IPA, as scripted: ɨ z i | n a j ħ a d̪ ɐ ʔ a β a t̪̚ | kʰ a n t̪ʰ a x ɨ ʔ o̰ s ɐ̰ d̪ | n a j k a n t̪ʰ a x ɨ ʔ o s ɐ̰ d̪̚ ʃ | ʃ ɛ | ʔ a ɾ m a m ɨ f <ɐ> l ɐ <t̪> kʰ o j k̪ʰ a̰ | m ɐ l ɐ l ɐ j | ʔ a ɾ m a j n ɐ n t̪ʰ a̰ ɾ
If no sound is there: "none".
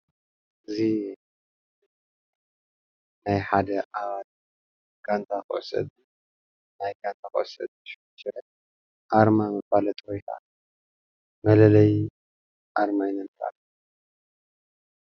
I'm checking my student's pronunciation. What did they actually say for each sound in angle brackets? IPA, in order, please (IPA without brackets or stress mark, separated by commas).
a, t̪ʼ